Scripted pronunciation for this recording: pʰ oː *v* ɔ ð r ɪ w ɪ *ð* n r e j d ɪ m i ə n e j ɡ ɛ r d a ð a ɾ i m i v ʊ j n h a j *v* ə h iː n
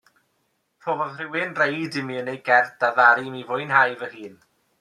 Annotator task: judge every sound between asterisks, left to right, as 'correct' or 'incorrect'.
correct, incorrect: none, correct

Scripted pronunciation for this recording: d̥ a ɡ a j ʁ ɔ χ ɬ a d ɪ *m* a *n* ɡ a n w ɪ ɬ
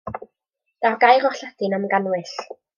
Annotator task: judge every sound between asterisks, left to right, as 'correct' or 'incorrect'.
incorrect: n, incorrect: m

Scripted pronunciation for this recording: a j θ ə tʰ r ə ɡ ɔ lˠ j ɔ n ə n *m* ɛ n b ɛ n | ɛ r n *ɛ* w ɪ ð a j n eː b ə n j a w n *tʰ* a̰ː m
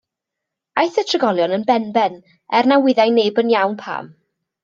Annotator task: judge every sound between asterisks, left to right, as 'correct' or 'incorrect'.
incorrect: b, incorrect: a, incorrect: pʰ

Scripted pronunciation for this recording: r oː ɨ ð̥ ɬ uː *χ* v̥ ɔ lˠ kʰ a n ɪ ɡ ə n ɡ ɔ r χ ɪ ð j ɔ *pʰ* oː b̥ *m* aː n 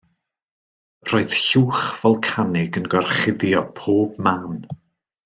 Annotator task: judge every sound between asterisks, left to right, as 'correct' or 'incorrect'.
correct, correct, correct

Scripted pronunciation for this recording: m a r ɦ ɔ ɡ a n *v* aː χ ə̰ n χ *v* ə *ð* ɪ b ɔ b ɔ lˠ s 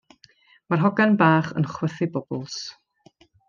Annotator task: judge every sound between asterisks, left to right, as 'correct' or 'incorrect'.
incorrect: b, incorrect: w, incorrect: θ

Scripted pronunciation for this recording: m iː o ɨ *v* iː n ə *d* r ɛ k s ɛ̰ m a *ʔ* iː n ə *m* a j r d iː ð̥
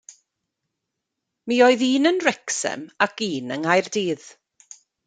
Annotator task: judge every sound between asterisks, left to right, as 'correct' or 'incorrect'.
incorrect: ð, incorrect: n, incorrect: k, incorrect: ŋ

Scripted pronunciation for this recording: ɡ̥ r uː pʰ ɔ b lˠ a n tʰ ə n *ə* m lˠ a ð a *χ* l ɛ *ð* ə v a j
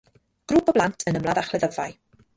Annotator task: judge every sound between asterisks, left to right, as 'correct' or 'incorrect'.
correct, correct, correct

